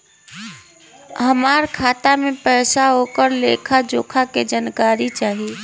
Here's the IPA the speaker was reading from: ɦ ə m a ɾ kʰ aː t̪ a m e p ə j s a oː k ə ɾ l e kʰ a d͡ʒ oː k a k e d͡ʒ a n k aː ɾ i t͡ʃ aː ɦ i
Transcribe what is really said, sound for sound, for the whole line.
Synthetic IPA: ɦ ə m a ɾ kʰ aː t̪ a m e p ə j s a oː k ə ɾ l e kʰ a d͡ʒ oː kʰ a k e d͡ʒ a n k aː ɾ i t͡ʃ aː ɦ i